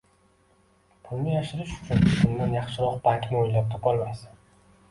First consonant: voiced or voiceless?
voiceless